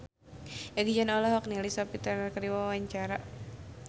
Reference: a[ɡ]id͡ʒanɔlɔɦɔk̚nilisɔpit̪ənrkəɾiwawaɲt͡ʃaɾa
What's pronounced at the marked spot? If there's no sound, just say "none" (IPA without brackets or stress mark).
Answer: ɡ